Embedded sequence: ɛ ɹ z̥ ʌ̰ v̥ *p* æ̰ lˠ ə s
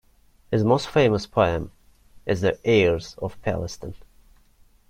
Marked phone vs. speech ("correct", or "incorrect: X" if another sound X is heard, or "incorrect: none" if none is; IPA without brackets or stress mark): incorrect: pʰ